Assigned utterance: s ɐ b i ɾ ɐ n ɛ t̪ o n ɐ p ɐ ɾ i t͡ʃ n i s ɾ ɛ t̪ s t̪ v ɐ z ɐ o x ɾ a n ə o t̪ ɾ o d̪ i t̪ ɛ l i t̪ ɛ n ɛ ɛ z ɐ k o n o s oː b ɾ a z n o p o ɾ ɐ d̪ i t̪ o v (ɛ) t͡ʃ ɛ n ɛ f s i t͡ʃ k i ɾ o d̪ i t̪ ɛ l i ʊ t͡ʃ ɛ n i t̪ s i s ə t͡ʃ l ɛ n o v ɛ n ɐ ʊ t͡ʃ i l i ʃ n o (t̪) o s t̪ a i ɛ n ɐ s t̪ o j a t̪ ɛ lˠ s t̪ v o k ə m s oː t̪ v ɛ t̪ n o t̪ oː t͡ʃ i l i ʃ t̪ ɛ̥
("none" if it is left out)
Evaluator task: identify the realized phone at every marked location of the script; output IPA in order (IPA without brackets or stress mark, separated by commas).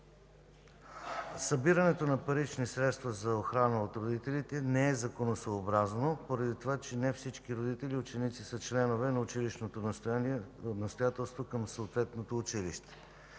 a, t̪